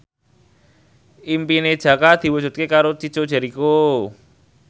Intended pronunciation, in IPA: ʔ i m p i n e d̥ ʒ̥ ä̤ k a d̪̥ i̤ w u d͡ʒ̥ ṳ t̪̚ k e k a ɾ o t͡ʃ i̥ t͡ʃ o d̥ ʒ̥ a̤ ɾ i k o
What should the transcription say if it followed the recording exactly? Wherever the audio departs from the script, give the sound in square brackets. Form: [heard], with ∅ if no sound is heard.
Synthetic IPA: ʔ i m p i n e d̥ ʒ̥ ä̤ k a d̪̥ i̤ w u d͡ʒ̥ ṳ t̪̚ k e k a ɾ o t͡ʃ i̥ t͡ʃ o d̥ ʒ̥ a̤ ɾ i k o